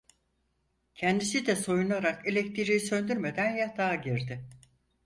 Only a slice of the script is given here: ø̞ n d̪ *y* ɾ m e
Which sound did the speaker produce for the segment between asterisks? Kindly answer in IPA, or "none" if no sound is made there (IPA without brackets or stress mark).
y